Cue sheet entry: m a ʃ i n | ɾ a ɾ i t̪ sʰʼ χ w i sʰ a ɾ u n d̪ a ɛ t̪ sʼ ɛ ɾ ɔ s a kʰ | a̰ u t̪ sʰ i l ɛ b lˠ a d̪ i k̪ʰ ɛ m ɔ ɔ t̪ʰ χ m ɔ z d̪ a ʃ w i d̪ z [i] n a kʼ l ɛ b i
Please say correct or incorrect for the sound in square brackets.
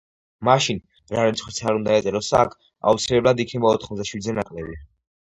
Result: incorrect